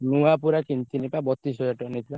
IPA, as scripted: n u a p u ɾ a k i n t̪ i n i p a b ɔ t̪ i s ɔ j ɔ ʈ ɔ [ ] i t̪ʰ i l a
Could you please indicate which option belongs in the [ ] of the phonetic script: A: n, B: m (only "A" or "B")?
A